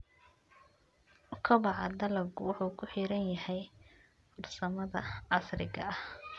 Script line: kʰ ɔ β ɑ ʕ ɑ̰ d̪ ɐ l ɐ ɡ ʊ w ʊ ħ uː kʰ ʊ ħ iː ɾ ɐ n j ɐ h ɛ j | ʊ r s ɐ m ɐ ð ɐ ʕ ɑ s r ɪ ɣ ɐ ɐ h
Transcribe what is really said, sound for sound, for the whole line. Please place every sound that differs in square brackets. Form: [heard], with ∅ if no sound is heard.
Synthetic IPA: kʰ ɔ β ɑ ʕ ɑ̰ d̪ ɐ l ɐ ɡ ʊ w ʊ ħ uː kʰ ʊ ħ iː ɾ ɐ n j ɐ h ɛ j | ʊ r s ɐ m ɐ ð ɐ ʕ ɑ s r ɪ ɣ ɐ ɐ h